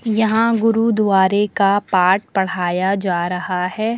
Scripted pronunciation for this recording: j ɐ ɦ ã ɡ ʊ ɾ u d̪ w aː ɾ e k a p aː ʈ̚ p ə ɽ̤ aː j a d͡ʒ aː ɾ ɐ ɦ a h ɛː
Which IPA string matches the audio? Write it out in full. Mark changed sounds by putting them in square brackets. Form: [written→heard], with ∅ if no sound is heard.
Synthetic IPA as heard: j ɐ ɦ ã ɡ ʊ ɾ u d̪ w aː ɾ e k a p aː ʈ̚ p [ə→ɐ] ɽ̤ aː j a d͡ʒ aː ɾ ɐ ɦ a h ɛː